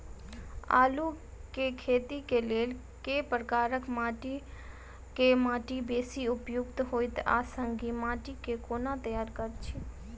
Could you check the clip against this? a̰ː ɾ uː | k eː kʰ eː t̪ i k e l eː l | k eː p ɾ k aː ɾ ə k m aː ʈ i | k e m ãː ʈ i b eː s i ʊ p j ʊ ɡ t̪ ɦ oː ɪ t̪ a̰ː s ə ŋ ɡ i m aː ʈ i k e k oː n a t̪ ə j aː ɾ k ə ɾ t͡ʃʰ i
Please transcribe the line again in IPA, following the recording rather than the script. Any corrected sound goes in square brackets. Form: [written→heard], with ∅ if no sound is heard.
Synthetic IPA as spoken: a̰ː [ɾ→l] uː | k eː kʰ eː t̪ i k e l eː l | k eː p ɾ k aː ɾ ə k m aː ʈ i | k e m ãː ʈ i b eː s i ʊ p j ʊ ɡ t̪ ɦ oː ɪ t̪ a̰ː s ə ŋ ɡ i m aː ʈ i k e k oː n a t̪ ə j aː ɾ k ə ɾ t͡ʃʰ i